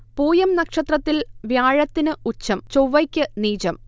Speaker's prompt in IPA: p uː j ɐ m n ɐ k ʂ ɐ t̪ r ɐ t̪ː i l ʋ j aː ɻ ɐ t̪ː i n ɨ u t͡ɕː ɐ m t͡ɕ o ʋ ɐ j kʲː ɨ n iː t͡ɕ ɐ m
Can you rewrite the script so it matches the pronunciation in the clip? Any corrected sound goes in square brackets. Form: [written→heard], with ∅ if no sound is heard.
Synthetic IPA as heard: p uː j ɐ m n ɐ k ʂ ɐ t̪ r ɐ t̪ː i l ʋ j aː ɻ ɐ t̪ː i n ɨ u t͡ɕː ɐ m t͡ɕ o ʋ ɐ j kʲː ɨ n iː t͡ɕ ɐ m